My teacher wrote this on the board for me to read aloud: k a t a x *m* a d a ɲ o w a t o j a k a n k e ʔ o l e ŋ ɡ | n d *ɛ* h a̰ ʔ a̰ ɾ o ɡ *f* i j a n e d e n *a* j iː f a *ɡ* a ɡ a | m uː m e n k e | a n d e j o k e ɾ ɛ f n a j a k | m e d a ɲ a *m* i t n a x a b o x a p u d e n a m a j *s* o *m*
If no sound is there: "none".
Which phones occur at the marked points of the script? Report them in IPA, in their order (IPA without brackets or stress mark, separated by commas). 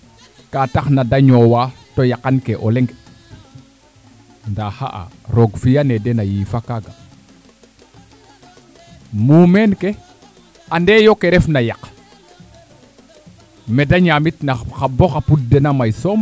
n, a, f, a, k, m, s, m